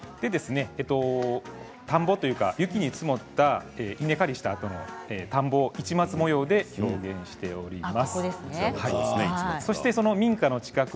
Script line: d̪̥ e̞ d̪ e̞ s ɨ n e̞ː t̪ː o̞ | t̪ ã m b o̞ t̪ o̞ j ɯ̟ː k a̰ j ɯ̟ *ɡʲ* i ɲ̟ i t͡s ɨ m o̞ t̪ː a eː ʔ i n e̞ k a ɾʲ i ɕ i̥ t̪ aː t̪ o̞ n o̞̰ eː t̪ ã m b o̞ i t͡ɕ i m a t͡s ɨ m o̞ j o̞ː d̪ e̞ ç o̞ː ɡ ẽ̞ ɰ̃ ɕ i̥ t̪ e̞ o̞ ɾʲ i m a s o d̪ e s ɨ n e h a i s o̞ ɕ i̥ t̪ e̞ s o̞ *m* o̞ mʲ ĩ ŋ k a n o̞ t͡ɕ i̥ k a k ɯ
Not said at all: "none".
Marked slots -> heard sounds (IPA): kʲ, n

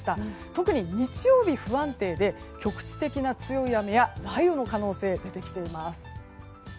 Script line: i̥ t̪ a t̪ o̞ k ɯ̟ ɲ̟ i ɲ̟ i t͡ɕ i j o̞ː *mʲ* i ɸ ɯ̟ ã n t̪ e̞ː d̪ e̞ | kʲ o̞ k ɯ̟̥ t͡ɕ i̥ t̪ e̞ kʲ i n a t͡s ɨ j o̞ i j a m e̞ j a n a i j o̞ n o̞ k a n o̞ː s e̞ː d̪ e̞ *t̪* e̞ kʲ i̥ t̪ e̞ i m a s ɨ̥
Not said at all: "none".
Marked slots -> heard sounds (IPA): bʲ, t̪

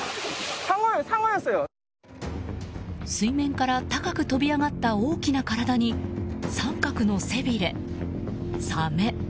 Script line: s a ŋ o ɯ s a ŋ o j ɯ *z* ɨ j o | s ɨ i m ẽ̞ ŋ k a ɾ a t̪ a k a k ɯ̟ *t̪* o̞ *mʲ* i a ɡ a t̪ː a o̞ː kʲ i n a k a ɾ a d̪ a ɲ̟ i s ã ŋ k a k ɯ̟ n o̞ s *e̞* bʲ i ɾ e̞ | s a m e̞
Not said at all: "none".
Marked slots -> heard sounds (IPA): s, t̪, bʲ, e̞

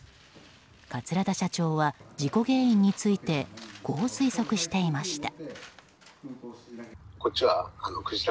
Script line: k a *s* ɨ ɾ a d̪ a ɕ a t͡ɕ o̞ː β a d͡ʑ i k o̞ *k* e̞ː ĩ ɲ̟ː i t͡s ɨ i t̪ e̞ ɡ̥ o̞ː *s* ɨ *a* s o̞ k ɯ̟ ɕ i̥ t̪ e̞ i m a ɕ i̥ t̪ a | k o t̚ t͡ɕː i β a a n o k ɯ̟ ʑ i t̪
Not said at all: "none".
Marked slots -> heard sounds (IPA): t͡s, ɡ, s, i

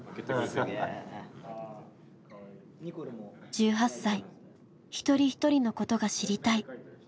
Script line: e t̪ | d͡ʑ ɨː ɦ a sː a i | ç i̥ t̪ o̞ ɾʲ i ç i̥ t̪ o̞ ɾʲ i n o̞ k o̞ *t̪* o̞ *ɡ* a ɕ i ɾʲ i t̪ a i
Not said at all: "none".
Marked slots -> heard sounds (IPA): t̪, ɡ

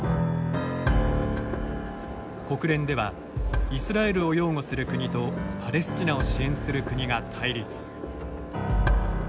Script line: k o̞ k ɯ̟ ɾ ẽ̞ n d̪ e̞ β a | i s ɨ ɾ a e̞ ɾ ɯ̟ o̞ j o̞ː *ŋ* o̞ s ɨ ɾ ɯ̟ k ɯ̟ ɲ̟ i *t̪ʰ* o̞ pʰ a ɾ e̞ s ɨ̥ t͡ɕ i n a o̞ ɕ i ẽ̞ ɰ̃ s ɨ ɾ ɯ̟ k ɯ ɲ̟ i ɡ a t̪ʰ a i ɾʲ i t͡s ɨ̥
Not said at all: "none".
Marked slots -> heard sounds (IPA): ŋ, t̪

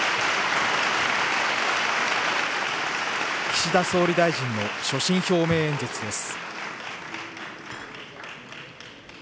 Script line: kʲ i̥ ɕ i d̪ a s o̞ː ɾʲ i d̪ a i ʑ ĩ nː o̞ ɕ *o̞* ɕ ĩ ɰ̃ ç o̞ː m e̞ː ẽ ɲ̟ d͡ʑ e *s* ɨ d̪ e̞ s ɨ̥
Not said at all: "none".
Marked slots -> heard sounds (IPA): o̞, t͡s

